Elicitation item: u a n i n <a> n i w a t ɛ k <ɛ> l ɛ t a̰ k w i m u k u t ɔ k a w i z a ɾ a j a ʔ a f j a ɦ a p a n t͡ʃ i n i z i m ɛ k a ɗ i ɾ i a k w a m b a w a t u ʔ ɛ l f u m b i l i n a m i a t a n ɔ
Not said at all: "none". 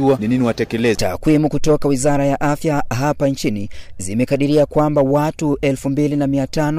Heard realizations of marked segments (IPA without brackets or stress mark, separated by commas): i, ɛ